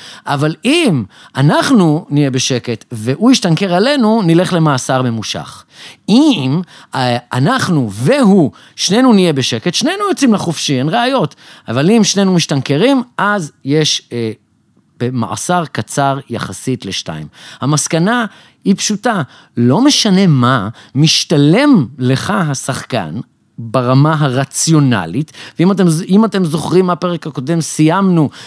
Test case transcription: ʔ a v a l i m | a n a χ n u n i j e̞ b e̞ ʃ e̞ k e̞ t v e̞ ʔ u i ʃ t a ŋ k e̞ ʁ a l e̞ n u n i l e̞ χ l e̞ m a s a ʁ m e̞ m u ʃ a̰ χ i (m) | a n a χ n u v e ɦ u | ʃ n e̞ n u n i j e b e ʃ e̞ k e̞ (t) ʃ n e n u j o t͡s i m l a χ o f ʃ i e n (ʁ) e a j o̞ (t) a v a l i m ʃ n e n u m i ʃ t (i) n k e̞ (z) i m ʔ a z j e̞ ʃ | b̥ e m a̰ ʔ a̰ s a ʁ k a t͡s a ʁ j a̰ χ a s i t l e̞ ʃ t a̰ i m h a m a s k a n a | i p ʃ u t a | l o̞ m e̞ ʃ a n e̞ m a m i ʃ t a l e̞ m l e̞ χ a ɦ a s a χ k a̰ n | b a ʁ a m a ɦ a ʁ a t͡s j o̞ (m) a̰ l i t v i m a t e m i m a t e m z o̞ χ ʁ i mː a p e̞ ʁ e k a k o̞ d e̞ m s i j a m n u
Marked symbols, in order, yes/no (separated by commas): yes, yes, yes, yes, no, no, no